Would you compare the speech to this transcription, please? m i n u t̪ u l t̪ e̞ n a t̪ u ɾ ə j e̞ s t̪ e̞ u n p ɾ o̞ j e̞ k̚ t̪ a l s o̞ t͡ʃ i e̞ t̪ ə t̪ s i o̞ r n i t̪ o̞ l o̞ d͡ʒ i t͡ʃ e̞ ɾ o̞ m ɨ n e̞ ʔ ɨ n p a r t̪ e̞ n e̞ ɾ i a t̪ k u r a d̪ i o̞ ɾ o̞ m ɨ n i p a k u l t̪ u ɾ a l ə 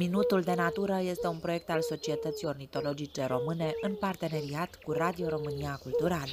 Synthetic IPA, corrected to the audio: m i n u t̪ u l d̪ e̞ n a t̪ u ɾ ə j e̞ s t̪ e̞ u n p ɾ o̞ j e̞ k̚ t̪ a l s o̞ t͡ʃ i e̞ t̪ ə t̪ s i o̞ r n i t̪ o̞ l o̞ d͡ʒ i t͡ʃ e̞ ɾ o̞ m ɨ n e̞ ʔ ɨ n p a r t̪ e̞ n e̞ ɾ i a t̪ k u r a d̪ i o̞ ɾ o̞ m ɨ n i a k u l t̪ u ɾ a l ə